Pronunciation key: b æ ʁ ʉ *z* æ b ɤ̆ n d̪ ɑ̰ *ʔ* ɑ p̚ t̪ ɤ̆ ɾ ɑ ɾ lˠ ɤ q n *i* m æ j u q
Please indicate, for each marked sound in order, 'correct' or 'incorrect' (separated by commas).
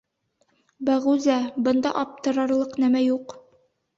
correct, correct, incorrect